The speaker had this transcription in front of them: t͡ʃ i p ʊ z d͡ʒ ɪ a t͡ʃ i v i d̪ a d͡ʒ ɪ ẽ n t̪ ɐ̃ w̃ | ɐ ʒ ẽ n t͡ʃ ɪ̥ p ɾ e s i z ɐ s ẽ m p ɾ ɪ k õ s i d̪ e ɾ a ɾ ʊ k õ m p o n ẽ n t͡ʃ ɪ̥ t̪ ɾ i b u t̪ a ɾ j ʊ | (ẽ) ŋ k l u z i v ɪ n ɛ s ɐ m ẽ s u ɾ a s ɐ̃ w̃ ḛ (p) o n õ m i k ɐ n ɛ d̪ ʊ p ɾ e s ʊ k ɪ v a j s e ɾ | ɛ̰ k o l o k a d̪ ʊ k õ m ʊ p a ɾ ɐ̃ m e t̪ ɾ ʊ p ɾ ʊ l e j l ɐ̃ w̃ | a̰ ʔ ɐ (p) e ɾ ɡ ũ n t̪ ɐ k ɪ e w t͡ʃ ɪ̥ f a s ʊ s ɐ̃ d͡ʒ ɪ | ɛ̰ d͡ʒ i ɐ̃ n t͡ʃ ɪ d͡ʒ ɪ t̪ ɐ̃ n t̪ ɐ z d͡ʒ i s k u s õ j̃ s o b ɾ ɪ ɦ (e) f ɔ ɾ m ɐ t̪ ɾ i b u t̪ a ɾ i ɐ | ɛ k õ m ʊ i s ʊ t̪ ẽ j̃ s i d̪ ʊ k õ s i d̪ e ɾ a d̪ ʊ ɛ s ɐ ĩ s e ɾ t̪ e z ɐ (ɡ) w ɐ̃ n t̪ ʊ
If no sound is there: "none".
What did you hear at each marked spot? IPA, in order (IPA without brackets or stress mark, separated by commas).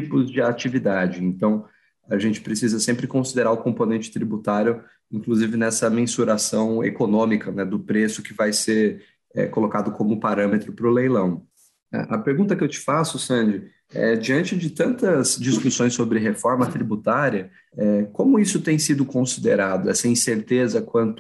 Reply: ĩ, k, p, e, k